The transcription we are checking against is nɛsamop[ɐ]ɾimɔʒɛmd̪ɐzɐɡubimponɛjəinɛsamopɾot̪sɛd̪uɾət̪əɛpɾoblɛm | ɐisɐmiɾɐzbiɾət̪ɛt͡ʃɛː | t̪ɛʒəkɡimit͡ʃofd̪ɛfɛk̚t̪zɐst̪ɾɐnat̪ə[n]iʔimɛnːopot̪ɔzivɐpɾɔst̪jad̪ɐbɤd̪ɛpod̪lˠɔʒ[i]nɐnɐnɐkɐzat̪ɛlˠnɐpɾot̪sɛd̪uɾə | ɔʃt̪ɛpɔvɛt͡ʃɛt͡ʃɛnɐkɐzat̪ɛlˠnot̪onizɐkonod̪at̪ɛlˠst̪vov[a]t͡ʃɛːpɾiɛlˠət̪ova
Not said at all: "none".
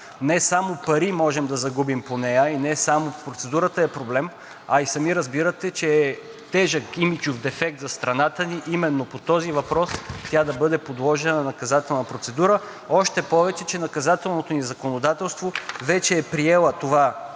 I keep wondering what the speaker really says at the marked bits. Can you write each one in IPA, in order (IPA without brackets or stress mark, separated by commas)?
ɐ, n, ɛ, ɛ